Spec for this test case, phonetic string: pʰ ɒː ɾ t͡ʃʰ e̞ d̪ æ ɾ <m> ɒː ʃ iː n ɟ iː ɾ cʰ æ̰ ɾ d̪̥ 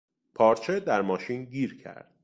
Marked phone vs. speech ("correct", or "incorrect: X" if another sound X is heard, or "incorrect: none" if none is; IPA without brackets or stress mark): correct